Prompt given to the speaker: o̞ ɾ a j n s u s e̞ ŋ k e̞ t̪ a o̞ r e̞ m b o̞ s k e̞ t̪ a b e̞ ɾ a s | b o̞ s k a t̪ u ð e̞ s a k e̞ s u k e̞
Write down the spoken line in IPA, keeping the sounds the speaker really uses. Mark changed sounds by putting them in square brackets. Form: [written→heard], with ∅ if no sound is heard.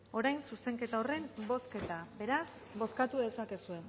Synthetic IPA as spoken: o̞ ɾ a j n s u s e̞ ŋ k e̞ t̪ a o̞ r e̞ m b o̞ s k e̞ t̪ a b e̞ ɾ a s | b o̞ s k a t̪ u ð e̞ s a k e̞ s u [k→∅] e̞